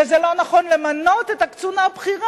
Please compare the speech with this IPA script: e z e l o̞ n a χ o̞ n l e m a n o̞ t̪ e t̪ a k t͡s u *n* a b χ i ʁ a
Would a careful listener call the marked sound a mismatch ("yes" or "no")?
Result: no